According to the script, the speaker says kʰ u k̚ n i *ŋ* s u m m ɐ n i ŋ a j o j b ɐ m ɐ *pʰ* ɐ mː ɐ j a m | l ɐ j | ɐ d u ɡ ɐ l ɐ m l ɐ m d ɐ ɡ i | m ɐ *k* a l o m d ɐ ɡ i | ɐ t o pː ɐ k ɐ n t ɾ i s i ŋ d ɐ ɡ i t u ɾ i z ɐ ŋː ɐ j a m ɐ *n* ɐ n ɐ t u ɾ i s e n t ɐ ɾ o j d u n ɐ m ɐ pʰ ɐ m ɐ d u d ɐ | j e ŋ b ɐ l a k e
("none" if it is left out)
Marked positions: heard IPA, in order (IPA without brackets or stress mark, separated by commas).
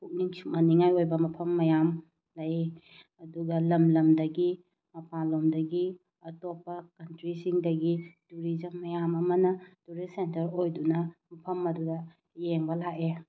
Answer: ŋ, pʰ, p, m